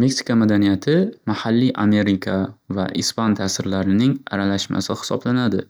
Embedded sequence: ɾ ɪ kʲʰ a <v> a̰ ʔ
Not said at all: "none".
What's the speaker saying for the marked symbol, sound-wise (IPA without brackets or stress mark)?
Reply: v